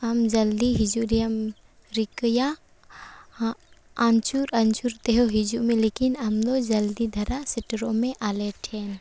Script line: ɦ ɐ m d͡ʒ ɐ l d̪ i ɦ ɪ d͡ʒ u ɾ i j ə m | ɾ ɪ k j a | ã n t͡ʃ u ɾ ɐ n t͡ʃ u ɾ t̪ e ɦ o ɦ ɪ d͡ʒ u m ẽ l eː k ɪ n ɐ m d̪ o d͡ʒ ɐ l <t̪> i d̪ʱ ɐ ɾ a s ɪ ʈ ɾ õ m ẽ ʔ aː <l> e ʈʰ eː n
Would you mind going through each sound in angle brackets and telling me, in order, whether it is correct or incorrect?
incorrect: d̪, correct

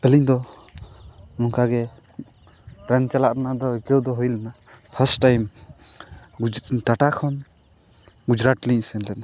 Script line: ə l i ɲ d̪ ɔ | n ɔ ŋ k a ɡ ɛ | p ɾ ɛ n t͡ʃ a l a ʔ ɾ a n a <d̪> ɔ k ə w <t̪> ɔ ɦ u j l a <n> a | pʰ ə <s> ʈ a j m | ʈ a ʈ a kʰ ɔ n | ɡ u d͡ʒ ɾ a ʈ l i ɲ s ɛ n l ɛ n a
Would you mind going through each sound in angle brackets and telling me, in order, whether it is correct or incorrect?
correct, incorrect: d̪, correct, correct

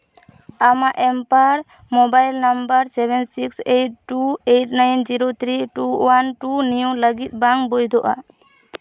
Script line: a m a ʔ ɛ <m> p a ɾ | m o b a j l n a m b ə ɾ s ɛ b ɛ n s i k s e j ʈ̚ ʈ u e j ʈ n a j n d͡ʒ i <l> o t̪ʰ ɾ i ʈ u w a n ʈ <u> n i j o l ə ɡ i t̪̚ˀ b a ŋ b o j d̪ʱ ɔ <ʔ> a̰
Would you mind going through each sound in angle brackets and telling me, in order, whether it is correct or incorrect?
correct, incorrect: ɾ, correct, correct

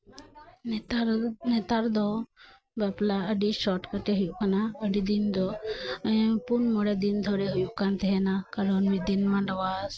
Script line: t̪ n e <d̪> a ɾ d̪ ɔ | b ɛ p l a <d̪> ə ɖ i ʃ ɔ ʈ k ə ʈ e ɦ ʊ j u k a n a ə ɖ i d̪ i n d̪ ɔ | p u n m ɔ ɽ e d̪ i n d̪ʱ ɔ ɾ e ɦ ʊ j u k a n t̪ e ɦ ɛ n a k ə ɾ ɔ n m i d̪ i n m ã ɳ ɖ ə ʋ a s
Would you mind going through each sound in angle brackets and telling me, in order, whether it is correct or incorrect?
incorrect: t̪, incorrect: none

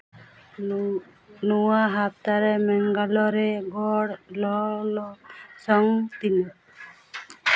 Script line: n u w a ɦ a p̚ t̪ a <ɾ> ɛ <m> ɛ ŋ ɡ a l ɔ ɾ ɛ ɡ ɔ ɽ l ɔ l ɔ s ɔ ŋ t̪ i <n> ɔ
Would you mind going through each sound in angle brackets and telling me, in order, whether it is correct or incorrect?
correct, correct, correct

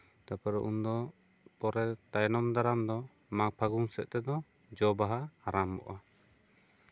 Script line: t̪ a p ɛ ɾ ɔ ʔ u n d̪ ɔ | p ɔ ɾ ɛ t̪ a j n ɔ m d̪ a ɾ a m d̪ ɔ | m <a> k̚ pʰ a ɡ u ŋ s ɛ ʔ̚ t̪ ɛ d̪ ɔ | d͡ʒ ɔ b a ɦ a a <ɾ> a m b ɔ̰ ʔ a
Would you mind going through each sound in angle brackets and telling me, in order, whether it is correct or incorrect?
correct, correct

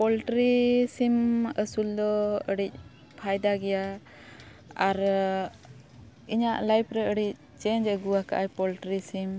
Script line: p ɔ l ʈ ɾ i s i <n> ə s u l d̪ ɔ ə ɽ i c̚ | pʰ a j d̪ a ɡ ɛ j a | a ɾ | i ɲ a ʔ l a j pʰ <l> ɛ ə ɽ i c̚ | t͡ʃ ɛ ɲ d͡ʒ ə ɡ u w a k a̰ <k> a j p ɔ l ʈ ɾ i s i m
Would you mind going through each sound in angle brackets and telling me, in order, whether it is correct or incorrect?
incorrect: m, incorrect: ɾ, incorrect: ʔ

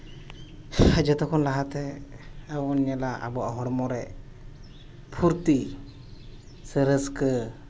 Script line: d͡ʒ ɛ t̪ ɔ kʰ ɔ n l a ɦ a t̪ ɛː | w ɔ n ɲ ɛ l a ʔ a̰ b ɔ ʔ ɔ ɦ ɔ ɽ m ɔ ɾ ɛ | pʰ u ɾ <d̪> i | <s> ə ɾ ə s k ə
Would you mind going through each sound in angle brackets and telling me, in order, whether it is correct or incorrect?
incorrect: t̪, correct

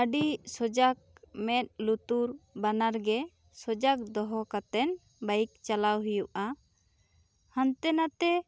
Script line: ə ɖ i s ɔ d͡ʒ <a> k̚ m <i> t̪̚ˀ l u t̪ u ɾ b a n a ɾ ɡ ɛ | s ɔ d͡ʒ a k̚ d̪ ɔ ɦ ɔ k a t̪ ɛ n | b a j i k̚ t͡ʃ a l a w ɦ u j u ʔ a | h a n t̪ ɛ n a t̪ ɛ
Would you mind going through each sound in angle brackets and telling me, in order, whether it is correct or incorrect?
correct, incorrect: ɛ

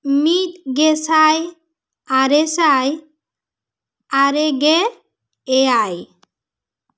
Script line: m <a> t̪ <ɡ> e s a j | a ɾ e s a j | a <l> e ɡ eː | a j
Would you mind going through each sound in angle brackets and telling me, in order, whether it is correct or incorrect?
incorrect: i, correct, incorrect: ɾ

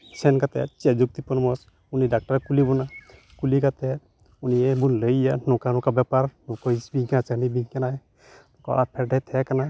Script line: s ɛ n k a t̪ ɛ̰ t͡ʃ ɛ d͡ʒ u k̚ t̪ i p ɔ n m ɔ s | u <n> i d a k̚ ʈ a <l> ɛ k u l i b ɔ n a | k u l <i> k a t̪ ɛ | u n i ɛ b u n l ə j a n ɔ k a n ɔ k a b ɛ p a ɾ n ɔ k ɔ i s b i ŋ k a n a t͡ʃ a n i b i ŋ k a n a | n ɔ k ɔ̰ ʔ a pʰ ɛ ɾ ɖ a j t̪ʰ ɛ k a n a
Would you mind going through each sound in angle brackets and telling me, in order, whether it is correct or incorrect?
correct, incorrect: ɾ, correct

